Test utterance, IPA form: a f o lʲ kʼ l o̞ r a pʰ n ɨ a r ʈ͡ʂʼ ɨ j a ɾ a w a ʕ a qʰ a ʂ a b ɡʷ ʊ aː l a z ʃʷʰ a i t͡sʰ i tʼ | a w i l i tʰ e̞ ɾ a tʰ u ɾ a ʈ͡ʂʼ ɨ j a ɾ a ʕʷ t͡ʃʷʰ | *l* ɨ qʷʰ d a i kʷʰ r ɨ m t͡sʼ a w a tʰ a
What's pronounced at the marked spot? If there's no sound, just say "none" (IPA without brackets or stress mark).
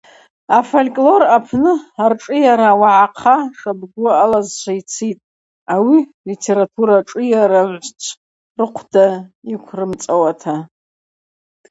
r